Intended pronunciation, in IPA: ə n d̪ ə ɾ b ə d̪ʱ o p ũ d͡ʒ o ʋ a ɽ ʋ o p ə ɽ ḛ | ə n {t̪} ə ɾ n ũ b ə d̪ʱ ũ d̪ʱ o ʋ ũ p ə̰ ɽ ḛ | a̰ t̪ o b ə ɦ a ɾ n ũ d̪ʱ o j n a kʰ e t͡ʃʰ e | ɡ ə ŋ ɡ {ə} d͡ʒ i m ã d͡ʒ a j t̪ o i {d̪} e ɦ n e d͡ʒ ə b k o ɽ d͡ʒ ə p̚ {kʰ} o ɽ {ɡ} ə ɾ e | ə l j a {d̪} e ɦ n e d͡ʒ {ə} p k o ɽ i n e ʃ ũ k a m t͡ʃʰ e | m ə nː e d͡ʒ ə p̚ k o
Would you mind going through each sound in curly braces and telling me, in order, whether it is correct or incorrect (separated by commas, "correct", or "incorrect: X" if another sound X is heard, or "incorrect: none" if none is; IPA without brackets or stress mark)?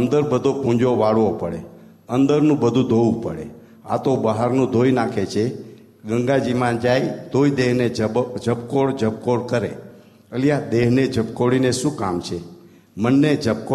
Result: incorrect: d̪, incorrect: a, correct, incorrect: k, incorrect: k, correct, correct